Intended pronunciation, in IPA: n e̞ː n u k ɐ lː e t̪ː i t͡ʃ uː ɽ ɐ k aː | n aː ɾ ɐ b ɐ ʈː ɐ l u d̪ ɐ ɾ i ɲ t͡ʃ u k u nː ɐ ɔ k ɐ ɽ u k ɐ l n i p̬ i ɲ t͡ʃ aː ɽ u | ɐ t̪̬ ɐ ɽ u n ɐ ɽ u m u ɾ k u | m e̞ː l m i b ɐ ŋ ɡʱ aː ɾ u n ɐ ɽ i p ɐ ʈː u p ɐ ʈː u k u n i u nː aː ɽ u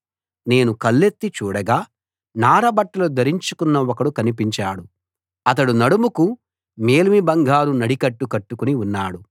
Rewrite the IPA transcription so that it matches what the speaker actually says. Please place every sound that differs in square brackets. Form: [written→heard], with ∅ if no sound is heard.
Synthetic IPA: n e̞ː n u k ɐ lː e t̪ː i t͡ʃ uː ɽ ɐ [k→ɡ] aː | n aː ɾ ɐ b ɐ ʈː ɐ l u d̪ ɐ ɾ i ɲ t͡ʃ u k u nː ɐ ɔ k ɐ ɽ u k ɐ [l→∅] n i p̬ i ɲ t͡ʃ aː ɽ u | ɐ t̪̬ ɐ ɽ u n ɐ ɽ u m u [ɾ→∅] k u | m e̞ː l m i b ɐ ŋ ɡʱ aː ɾ u n ɐ ɽ i [p→k] ɐ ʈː u [p→k] ɐ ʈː u k u n i u nː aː ɽ u